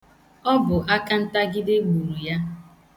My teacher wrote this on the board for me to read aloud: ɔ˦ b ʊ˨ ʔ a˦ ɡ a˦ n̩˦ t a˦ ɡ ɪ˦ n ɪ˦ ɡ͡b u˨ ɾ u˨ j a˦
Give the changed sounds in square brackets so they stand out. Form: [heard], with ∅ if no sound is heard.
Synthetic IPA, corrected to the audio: ɔ˦ b ʊ˨ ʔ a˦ [k] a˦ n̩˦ t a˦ ɡ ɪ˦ [d] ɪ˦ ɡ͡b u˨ ɾ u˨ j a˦